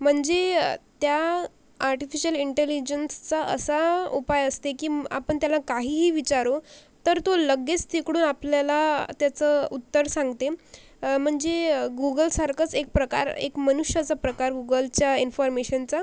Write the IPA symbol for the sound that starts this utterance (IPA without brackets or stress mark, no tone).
m̤